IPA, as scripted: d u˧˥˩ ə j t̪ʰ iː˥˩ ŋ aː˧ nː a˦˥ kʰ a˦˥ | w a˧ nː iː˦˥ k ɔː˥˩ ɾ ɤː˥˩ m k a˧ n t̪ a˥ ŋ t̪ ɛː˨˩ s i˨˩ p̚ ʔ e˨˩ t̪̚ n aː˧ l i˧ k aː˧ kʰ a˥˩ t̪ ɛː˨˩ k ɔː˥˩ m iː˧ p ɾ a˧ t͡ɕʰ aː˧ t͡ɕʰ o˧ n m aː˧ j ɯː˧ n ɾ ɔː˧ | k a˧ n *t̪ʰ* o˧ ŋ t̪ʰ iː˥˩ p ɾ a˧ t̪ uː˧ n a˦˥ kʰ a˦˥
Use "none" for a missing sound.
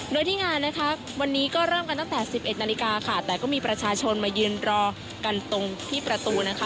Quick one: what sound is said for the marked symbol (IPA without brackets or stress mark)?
t̪